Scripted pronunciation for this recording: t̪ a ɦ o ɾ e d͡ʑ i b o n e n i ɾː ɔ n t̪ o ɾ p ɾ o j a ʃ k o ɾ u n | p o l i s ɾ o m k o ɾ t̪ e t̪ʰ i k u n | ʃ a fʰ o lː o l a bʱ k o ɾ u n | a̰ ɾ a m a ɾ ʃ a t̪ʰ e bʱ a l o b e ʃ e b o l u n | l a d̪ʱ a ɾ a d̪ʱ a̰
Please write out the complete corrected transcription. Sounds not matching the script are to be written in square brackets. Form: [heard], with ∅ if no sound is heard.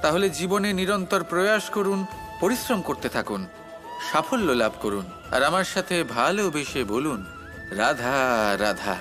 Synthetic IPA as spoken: t̪ a ɦ o [l] e d͡ʑ i b o n e n i [ɾ] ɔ n t̪ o ɾ p ɾ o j a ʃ k o ɾ u n | p o [ɾ] i s ɾ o m k o ɾ t̪ e t̪ʰ [a] k u n | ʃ a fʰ o lː o l a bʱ k o ɾ u n | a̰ ɾ a m a ɾ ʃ a t̪ʰ e bʱ a l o b e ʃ e b o l u n | [ɾ] a d̪ʱ a ɾ a d̪ʱ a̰

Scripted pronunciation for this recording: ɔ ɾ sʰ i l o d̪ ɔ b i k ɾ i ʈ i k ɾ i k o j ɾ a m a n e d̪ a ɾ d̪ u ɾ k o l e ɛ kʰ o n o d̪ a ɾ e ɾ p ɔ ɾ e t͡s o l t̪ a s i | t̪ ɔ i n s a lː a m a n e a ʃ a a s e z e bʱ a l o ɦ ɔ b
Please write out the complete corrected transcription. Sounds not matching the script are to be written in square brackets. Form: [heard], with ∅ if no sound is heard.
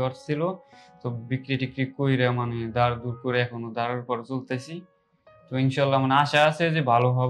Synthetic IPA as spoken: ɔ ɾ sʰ i l o [t̪] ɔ b i k ɾ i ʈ i k ɾ i k o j ɾ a m a n e d̪ a ɾ d̪ u ɾ k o [ɾ] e ɛ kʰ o n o d̪ a ɾ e ɾ p ɔ ɾ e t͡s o l t̪ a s i | t̪ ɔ i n [ʃ] a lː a m a n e a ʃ a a s e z e bʱ a l o ɦ ɔ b

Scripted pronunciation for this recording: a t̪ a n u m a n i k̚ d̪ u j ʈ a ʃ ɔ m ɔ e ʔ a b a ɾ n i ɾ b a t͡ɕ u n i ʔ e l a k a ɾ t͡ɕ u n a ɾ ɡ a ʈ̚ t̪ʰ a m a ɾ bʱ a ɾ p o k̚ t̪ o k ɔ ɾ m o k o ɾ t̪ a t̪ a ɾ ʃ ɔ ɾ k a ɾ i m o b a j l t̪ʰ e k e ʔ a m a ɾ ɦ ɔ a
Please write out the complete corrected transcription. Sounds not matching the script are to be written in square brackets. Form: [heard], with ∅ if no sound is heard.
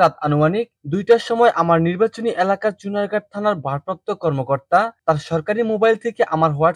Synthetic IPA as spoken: a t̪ a n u m a n i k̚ d̪ u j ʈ a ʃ ɔ m ɔ e ʔ a [m] a ɾ n i ɾ b a t͡ɕ [o] n i ʔ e l a k a ɾ t͡ɕ u n a ɾ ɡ a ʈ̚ t̪ʰ a [n] a ɾ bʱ a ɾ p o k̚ t̪ o k ɔ ɾ m o k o ɾ t̪ a t̪ a ɾ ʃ ɔ ɾ k a ɾ i m o b a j l t̪ʰ e k e ʔ a m a ɾ ɦ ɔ a

